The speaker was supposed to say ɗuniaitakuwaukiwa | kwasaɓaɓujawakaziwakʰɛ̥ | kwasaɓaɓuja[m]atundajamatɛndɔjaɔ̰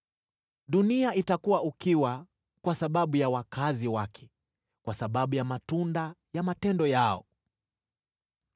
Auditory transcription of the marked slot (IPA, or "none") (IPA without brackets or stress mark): m